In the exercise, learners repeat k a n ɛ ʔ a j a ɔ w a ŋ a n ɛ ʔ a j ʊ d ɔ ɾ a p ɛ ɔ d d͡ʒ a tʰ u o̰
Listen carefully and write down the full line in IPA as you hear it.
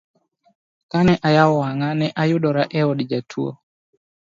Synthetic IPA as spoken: k a n ɛ ʔ a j a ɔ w a ŋ a n ɛ ʔ a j ʊ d ɔ ɾ a ʔ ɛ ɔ d d͡ʒ a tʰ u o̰